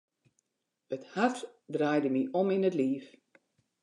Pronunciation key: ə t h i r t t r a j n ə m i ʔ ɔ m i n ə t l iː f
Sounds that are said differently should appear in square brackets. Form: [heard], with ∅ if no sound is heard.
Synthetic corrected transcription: ə t h [a] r t [d] r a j [d] ə m i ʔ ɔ m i n ə t l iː f